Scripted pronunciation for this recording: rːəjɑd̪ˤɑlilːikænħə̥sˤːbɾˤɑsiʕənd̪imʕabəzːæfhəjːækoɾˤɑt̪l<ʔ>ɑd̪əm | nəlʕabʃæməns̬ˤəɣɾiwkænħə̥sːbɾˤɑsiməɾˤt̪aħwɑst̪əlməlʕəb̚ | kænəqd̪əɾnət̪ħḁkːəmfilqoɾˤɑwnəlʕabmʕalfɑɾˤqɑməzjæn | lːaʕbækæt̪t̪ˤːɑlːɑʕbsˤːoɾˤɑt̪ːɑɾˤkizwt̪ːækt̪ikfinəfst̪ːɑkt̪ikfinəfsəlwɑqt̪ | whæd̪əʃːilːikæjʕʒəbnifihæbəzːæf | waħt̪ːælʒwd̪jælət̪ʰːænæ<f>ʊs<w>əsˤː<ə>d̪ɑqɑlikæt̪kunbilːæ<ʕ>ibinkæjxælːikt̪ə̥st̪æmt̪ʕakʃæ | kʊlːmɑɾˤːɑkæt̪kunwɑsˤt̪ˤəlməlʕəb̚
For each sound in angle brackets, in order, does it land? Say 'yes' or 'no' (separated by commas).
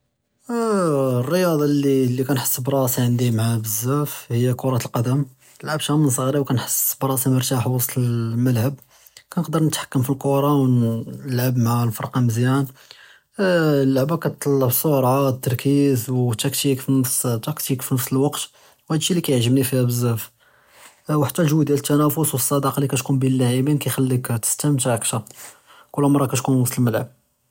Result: no, yes, yes, no, yes